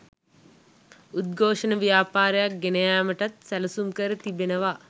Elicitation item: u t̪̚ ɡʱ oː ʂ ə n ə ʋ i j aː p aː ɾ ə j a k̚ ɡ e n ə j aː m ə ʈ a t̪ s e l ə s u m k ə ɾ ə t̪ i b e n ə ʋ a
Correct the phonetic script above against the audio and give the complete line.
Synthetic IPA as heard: u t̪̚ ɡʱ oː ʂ ə n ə ʋ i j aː p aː ɾ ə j a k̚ ɡ e n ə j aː m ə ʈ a t̪ s æ l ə s u m k ə ɾ ə t̪ i b e n ə ʋ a

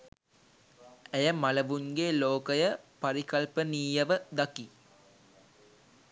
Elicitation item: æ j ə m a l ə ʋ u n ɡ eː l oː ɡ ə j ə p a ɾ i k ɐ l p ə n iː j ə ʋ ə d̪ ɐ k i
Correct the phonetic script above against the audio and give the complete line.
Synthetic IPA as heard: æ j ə m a l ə ʋ u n ɡ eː l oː k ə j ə p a ɾ i k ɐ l p ə n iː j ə ʋ ə d̪ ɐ k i

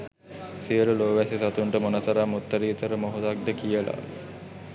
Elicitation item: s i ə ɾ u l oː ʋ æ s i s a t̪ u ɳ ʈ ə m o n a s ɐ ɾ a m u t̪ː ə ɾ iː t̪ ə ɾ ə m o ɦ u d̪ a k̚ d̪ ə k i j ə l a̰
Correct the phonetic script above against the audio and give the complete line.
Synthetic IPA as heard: s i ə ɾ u l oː ʋ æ s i s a t̪ u ɳ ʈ ə m o n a s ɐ ɾ a m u t̪ː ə ɾ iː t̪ ə ɾ ə m o ɦ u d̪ a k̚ d̪ ə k i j ə l a̰

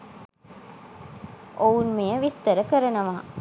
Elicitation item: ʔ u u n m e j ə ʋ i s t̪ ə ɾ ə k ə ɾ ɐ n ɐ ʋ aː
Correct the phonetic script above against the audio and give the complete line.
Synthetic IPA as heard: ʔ o u n m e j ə ʋ i s t̪ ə ɾ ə k ə ɾ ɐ n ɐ ʋ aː

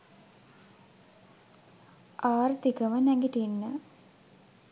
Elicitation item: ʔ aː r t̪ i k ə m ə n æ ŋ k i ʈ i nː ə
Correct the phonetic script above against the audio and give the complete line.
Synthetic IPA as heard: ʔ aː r t̪ i k ə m ə n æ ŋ ɡ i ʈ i nː ə

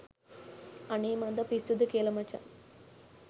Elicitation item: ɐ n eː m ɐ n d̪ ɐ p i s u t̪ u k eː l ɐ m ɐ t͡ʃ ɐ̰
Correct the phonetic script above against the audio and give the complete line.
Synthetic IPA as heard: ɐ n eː m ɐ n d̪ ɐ p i s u d̪ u k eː l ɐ m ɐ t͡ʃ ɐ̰

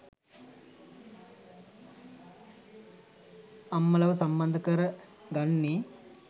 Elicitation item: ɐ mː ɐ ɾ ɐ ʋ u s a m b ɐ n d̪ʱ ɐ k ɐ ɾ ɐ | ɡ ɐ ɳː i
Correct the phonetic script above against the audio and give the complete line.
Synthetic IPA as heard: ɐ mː ɐ l ɐ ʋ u s ɐ m b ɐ n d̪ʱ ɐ k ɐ ɾ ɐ | ɡ ɐ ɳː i

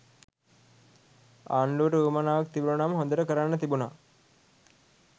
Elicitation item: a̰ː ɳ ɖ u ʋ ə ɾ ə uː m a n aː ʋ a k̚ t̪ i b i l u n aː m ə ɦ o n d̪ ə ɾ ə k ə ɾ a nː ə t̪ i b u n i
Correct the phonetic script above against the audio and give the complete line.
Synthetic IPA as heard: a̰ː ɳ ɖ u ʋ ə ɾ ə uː m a n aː ʋ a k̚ t̪ i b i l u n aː m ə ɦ o n d̪ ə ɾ ə k ə ɾ a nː ə t̪ i b u n a

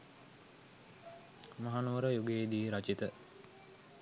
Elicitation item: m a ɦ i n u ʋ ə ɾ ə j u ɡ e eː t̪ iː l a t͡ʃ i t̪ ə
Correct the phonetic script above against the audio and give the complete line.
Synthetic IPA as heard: m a ɦ a n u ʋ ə ɾ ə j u ɡ e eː d̪ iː ɾ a t͡ʃ i t̪ ə

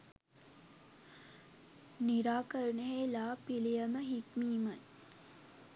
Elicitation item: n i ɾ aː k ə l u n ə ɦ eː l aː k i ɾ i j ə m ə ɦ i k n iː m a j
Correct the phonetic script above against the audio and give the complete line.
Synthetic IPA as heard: n i ɾ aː k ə ɾ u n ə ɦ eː l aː p i l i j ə m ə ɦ i k m iː m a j

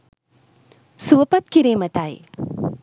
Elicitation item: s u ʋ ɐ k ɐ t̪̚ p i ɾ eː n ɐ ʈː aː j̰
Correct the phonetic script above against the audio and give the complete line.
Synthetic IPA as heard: s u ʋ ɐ p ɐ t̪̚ k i ɾ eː m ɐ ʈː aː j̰

